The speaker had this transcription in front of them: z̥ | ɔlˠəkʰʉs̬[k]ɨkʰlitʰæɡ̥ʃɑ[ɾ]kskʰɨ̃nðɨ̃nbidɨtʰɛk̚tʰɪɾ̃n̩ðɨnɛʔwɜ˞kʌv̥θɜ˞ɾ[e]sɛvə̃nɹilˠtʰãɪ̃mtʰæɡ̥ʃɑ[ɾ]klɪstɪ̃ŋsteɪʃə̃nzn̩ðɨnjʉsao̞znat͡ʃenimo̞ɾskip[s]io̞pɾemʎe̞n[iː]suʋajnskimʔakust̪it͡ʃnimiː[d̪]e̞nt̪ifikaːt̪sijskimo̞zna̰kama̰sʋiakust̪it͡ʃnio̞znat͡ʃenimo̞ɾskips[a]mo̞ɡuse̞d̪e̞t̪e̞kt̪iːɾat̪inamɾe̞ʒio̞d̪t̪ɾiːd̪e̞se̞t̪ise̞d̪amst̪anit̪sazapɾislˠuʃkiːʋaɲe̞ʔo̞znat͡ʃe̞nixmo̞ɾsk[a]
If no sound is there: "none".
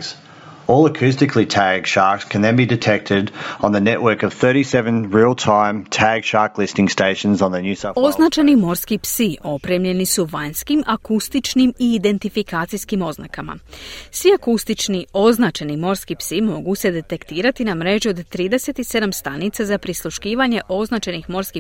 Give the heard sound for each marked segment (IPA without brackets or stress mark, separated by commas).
t, ɹ, i, ɹ, s, i, d̪, i, i